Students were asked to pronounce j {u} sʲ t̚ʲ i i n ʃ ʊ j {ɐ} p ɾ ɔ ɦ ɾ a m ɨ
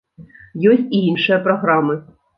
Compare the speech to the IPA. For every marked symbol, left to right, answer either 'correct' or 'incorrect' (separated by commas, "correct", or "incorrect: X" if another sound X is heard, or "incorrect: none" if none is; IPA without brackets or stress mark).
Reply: incorrect: ɔ, correct